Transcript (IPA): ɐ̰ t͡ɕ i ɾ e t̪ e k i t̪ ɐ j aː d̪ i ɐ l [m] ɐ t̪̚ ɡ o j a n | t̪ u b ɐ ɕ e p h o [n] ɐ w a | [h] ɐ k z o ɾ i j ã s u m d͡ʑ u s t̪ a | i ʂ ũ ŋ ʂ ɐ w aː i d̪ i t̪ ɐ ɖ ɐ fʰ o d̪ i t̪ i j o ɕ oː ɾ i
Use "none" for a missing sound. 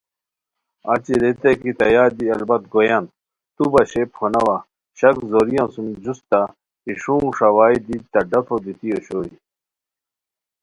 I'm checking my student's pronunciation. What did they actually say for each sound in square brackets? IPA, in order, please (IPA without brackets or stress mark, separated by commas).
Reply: b, n, ɕ